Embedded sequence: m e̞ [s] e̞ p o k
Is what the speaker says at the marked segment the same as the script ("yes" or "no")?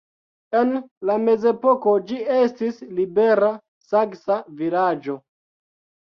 no